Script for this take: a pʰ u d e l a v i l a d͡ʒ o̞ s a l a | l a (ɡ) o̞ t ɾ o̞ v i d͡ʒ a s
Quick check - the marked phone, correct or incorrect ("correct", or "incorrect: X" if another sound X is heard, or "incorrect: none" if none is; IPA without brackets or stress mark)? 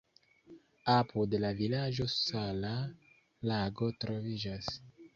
correct